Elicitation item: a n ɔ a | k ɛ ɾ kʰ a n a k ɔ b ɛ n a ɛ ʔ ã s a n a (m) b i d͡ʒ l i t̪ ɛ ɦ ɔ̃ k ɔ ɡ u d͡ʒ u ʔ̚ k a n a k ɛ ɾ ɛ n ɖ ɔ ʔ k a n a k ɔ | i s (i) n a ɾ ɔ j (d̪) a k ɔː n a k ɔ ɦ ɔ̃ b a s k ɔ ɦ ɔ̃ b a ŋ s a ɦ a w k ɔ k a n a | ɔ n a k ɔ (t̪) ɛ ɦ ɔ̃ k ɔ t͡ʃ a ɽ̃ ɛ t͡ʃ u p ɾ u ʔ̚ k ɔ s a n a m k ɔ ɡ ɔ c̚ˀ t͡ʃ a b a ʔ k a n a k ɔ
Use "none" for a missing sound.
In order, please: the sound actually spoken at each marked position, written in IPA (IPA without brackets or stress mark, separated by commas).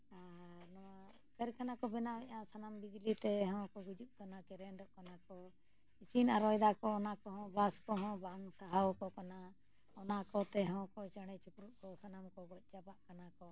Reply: m, i, d̪, t̪